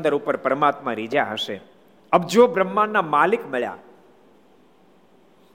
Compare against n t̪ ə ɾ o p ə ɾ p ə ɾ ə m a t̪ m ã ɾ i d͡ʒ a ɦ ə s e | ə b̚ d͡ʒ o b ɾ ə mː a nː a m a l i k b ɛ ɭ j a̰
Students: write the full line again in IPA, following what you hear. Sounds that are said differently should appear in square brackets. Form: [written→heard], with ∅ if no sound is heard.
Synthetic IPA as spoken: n [t̪→d̪] ə ɾ [o→u] p ə ɾ p ə ɾ ə m a t̪ m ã ɾ i d͡ʒ a ɦ ə [s→ʃ] e | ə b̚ d͡ʒ o b ɾ ə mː a nː a m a l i k [b→m] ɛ ɭ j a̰